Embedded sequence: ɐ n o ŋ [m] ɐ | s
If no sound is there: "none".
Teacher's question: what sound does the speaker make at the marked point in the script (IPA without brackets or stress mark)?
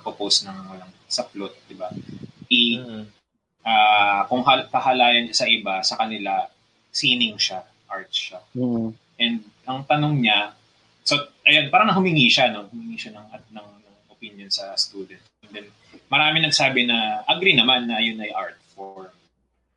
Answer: ɲ